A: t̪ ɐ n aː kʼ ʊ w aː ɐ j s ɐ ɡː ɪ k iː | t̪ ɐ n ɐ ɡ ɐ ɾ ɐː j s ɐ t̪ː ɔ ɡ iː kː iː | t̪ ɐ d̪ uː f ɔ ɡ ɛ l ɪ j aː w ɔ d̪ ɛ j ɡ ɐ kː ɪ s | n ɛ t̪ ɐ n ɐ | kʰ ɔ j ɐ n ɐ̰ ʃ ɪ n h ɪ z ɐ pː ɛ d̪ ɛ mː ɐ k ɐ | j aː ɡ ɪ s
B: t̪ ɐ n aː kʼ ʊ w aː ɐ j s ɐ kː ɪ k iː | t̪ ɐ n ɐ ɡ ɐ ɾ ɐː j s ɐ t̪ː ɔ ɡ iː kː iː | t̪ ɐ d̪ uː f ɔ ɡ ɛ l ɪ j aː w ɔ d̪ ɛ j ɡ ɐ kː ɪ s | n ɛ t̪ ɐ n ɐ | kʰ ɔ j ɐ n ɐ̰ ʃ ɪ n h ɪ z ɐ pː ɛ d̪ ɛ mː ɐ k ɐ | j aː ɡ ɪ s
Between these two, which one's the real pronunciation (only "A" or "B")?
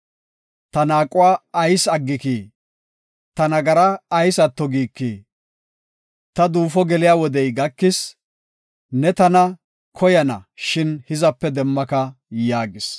A